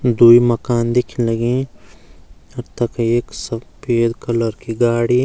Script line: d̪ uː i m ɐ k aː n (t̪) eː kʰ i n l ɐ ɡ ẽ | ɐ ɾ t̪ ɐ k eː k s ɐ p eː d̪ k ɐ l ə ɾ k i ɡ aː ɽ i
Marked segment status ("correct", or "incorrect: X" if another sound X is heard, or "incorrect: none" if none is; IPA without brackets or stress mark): incorrect: d̪